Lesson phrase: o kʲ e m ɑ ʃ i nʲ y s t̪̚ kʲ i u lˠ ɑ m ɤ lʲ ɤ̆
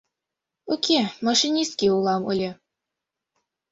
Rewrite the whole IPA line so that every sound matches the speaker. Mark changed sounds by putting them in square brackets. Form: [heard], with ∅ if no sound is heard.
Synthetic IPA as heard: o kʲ e m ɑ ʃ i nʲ [i] s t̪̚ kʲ i u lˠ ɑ m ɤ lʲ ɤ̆

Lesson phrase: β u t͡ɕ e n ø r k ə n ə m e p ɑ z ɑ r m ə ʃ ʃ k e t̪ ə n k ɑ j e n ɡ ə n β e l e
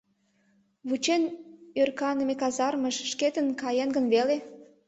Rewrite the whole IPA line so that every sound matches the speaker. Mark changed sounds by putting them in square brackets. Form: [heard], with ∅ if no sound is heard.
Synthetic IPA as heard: β u t͡ɕ e n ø r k [ɑ] n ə m e [k] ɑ z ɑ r m ə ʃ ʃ k e t̪ ə n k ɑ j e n ɡ ə n β e l e

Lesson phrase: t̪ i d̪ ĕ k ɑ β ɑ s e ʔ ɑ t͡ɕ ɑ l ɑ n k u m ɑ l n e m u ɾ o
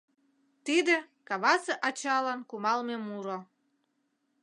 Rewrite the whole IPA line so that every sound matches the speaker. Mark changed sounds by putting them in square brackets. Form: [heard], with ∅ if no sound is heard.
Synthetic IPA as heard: t̪ i d̪ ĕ k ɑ β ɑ s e ʔ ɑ t͡ɕ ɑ l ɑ n k u m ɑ l [m] e m u ɾ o

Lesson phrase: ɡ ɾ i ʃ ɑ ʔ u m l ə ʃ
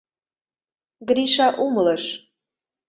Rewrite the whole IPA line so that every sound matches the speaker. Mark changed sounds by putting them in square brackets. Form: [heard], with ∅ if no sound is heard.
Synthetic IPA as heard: ɡ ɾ i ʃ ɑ ʔ u m l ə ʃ

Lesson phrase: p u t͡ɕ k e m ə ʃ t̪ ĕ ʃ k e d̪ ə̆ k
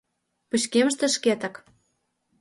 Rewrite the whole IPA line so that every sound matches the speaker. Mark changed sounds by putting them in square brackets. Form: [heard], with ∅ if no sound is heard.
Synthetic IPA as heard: p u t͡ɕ k e m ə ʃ t̪ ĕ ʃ k e [t̪] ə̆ k

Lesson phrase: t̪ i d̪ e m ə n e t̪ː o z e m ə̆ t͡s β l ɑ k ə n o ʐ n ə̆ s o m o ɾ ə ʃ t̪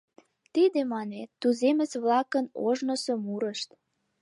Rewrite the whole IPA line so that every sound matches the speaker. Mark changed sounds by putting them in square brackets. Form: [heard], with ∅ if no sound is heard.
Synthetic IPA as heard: t̪ i d̪ e m [ɑ] n e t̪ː [u] z e m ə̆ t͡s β l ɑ k ə n o [ʒ] n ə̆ s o m [u] ɾ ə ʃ t̪

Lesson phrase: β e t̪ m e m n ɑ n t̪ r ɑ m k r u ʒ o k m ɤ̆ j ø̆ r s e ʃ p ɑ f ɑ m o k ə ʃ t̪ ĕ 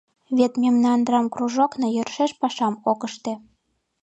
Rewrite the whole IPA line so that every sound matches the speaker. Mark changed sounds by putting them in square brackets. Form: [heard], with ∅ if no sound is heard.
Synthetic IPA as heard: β e t̪ m e m n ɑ n [d̪] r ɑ m k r u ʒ o k [n] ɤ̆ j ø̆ r [ʃ] e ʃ p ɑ [ʃ] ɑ m o k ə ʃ t̪ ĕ

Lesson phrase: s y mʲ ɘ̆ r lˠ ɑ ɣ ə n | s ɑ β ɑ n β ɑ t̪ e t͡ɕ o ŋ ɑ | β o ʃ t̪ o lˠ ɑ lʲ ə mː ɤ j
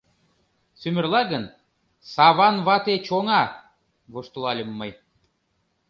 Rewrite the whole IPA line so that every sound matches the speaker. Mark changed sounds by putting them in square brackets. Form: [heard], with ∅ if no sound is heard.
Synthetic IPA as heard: s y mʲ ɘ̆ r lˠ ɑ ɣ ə n | s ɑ β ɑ n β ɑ t̪ e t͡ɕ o ŋ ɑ | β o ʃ t̪ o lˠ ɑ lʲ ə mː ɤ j

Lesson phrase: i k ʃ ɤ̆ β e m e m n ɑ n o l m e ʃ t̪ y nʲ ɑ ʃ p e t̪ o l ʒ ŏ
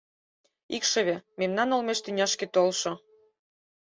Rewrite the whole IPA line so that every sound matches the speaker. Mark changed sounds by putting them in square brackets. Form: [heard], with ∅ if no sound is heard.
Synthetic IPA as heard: i k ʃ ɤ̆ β e m e m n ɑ n o l m e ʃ t̪ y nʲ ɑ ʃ [k] e t̪ o l [ʃ] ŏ

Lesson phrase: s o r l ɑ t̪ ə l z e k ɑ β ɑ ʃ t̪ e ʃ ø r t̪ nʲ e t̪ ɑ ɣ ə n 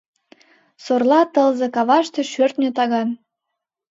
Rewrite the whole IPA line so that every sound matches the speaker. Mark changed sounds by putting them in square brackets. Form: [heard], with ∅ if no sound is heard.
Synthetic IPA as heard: s o r l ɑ t̪ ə l z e k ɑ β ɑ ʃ t̪ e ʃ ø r t̪ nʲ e t̪ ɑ ɣ [ɑ] n

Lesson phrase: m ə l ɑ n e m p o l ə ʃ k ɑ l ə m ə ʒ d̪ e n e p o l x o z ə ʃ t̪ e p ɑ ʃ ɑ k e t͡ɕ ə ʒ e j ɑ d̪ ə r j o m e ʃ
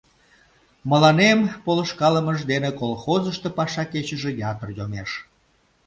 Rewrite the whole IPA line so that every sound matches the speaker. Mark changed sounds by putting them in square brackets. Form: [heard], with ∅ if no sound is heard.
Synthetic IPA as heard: m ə l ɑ n e m p o l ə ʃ k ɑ l ə m ə ʒ d̪ e n e [k] o l x o z ə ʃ t̪ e p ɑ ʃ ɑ k e t͡ɕ ə ʒ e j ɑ [t̪] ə r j o m e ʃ

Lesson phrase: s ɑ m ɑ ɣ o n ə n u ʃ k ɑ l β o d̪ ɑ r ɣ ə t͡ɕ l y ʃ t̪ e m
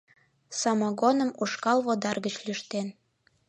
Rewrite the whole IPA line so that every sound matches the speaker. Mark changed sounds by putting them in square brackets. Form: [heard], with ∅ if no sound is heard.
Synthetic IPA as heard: s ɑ m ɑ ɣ o n ə [m] u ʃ k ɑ l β o d̪ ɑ r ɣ ə t͡ɕ l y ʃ t̪ e [n]

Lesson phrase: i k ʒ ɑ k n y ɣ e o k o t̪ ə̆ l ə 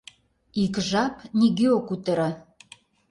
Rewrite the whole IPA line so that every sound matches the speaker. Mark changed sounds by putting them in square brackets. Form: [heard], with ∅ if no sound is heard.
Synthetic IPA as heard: i k ʒ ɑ [p] n [i] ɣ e o k [u] t̪ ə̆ [ɾ] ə

